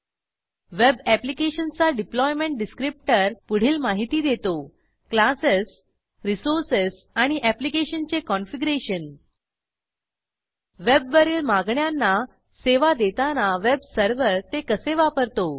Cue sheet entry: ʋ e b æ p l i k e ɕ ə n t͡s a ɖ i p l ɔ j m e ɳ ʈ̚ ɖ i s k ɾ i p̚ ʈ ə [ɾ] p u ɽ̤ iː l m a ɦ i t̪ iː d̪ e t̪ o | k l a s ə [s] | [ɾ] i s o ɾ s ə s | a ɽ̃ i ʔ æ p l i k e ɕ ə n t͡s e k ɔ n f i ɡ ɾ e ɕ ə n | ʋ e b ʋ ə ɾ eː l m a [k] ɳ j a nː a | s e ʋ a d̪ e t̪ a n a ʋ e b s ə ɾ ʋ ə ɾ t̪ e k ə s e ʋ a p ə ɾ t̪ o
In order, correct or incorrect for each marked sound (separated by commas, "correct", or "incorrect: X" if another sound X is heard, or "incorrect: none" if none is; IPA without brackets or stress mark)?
correct, correct, correct, incorrect: ɡ